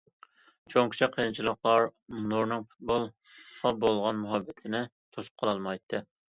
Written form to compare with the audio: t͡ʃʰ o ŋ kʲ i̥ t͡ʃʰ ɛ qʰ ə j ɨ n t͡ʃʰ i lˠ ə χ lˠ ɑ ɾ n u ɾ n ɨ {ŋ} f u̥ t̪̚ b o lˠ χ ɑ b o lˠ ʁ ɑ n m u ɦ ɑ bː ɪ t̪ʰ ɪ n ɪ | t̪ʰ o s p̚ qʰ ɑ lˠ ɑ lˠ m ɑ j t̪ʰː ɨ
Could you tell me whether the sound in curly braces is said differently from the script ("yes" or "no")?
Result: no